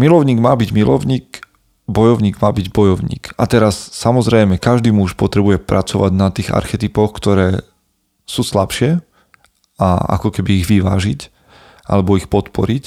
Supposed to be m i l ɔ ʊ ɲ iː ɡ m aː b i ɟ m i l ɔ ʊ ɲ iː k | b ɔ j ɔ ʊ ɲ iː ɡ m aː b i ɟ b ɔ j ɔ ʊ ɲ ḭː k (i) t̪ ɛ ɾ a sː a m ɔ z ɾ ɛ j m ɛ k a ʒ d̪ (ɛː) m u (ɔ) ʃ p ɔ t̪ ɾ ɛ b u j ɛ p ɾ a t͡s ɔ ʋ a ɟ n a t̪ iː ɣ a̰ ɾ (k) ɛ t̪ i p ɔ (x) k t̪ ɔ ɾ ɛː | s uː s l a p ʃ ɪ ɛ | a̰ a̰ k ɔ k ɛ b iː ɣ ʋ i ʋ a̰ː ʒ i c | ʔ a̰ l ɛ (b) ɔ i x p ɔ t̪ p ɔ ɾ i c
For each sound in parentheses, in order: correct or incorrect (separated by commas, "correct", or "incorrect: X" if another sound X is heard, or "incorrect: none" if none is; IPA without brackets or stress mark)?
incorrect: a, incorrect: iː, incorrect: u, incorrect: x, correct, correct